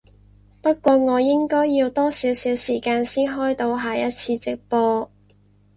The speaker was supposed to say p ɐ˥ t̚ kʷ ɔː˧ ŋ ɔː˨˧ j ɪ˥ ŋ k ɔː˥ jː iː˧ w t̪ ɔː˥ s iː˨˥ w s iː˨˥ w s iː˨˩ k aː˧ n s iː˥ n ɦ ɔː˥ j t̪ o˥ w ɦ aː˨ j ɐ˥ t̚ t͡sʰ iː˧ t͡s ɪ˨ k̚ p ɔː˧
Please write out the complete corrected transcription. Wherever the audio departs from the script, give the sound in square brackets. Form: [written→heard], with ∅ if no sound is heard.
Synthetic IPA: p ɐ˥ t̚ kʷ ɔː˧ ŋ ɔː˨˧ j ɪ˥ ŋ k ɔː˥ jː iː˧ w t̪ ɔː˥ s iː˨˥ w s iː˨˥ w s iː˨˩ k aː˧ n s iː˥ n ɦ ɔː˥ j t̪ [o˥→o˧] w ɦ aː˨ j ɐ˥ t̚ t͡sʰ iː˧ t͡s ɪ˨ k̚ p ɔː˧